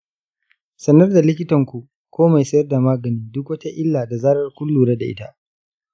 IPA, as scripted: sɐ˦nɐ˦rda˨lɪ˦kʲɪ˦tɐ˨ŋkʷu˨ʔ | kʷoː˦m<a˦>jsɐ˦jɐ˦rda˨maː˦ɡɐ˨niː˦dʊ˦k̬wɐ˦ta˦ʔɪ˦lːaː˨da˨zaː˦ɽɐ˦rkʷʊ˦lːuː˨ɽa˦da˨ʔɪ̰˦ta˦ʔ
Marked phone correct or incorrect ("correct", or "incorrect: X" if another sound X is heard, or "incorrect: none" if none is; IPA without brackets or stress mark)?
incorrect: a˨